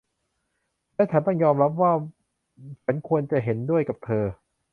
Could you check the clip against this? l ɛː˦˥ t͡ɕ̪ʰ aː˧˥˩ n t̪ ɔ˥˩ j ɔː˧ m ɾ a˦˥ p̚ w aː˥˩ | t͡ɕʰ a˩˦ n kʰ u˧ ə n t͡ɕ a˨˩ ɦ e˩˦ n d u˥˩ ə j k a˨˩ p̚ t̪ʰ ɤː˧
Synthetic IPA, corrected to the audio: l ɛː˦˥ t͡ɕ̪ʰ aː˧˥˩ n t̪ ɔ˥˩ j ɔː˧ m ɾ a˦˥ p̚ w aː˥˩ | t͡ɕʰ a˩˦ n kʰ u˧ ə n t͡ɕ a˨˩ ɦ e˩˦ n d u˥˩ ə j k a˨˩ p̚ t̪ʰ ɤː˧